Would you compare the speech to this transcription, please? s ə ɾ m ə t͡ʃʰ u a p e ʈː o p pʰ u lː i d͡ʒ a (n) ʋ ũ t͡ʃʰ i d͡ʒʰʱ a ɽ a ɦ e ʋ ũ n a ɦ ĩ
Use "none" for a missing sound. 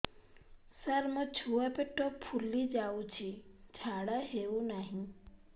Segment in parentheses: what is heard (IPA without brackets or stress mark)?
none